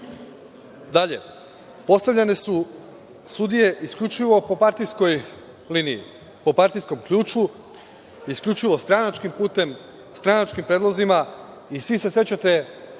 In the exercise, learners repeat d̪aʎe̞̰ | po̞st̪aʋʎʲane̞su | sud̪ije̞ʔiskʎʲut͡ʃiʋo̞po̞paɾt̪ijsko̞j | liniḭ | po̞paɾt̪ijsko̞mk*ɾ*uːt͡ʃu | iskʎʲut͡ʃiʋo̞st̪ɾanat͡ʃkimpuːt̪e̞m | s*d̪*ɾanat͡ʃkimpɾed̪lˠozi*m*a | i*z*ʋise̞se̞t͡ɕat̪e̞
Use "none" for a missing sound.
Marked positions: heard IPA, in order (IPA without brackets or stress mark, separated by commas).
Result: ʎ, t̪, m, s